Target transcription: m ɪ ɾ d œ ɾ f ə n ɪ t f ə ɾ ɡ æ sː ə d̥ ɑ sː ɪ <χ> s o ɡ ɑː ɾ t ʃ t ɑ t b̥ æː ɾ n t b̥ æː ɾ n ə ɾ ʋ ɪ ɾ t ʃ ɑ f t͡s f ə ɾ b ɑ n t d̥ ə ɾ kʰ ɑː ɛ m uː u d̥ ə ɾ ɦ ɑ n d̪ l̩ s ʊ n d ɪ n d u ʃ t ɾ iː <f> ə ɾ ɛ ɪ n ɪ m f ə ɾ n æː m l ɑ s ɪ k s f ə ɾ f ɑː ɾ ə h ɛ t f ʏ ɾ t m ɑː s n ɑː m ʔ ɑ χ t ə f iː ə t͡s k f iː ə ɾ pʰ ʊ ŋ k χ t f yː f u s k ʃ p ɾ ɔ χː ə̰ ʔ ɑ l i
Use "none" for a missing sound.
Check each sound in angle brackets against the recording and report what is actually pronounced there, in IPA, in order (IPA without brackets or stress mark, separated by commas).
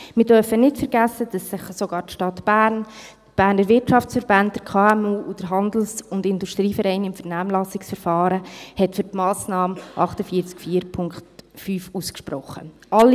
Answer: χ, f